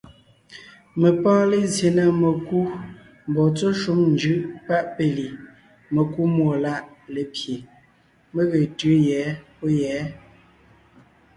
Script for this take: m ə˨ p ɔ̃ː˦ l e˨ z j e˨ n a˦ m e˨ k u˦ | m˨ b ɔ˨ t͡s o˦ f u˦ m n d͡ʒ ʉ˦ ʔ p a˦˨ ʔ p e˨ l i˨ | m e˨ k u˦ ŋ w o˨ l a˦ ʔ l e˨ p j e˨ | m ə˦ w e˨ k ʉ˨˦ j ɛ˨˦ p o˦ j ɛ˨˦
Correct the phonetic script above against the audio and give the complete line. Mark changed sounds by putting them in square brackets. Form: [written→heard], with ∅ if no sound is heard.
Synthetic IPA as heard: m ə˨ p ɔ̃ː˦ l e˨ z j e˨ n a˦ m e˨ k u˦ | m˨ b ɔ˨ t͡s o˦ [f→ʃ] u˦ m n d͡ʒ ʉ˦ ʔ p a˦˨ ʔ p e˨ l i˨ | m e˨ k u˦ [ŋ→m] w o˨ l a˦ ʔ l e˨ p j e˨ | m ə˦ [w→ɣ] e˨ [k→t] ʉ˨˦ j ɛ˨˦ p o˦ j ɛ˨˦